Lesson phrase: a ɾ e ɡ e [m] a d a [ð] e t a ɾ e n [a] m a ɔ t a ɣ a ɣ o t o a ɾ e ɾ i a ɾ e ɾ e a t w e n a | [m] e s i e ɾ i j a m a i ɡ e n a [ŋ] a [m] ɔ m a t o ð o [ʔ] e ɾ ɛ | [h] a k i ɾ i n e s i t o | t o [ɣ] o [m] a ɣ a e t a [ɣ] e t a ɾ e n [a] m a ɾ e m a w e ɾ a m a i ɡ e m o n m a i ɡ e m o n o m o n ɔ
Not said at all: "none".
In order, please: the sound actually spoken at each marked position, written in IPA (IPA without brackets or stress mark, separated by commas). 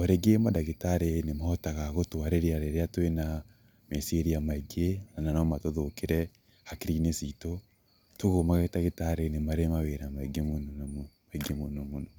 m, ɣ, e, m, n, n, k, h, ɣ, m, ɣ, e